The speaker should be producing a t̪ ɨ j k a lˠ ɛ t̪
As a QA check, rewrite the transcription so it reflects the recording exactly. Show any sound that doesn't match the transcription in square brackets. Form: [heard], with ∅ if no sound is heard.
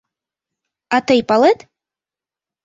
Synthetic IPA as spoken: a t̪ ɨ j [p] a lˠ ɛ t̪